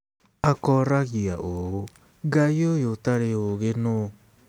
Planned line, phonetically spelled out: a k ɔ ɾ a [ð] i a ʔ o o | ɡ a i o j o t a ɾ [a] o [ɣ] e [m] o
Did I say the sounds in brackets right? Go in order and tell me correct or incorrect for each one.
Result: incorrect: ɣ, incorrect: e, correct, incorrect: n

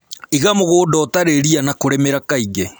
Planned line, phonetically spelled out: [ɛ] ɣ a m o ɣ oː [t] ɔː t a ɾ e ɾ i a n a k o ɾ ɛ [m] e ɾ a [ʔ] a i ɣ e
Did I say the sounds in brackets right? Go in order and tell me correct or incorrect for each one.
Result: incorrect: i, incorrect: d, correct, incorrect: k

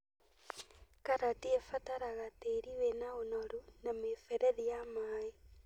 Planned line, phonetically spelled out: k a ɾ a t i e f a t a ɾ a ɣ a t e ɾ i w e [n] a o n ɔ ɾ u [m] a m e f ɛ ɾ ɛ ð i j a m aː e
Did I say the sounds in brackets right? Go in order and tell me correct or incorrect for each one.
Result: correct, incorrect: n

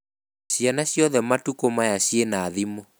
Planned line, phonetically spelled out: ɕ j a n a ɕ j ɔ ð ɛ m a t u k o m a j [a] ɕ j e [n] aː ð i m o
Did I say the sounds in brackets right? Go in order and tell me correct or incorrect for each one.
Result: correct, correct

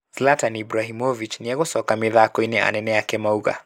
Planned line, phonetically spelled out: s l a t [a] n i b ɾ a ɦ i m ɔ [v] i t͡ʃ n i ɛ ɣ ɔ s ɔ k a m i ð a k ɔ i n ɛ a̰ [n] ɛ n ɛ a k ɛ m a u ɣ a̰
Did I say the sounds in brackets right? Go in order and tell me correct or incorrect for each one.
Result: correct, correct, correct

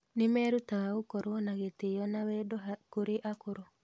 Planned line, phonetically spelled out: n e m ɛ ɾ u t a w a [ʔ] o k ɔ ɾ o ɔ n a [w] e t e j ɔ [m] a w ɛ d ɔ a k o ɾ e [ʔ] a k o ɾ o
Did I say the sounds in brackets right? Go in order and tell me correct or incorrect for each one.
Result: incorrect: none, incorrect: ɣ, incorrect: n, correct

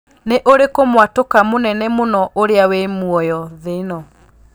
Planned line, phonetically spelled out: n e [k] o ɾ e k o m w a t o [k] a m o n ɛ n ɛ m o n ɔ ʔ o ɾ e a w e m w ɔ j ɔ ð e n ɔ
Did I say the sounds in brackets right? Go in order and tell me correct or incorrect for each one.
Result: incorrect: ʔ, correct

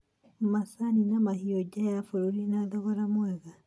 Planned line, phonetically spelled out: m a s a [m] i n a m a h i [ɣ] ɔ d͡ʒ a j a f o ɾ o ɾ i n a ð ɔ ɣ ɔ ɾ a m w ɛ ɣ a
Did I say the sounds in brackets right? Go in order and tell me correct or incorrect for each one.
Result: incorrect: n, incorrect: none

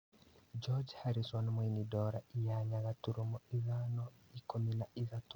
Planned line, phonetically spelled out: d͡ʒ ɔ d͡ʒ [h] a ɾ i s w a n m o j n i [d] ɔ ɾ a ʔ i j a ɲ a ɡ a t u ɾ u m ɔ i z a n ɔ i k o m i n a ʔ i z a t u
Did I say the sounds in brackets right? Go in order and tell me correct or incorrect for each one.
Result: correct, correct

